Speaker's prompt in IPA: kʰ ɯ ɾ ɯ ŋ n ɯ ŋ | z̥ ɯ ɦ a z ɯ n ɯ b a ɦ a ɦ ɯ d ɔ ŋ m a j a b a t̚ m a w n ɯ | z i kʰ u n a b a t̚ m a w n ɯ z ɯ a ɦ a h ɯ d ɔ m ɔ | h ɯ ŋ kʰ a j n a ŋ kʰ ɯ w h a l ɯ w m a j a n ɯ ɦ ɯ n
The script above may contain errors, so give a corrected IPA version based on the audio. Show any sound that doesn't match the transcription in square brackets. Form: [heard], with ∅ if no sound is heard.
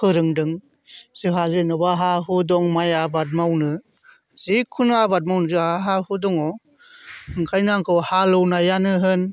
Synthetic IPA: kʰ ɯ ɾ ɯ ŋ [d] ɯ ŋ | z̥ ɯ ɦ a z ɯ n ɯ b a ɦ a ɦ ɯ d ɔ ŋ m a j a b a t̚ m a w n ɯ | z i kʰ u n a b a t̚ m a w n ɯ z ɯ a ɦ a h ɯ d ɔ [ŋ] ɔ | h ɯ ŋ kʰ a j n a ŋ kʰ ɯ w h a l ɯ w [n] a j a n ɯ ɦ ɯ n